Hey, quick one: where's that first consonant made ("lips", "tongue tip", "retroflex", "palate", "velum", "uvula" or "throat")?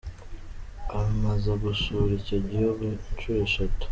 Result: lips